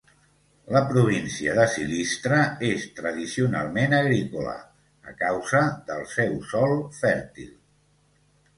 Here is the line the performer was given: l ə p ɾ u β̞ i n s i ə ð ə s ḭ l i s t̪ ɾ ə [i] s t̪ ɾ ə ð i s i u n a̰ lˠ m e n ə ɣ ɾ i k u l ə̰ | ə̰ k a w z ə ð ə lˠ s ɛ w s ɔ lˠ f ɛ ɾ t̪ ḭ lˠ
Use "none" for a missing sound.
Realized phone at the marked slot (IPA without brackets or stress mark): e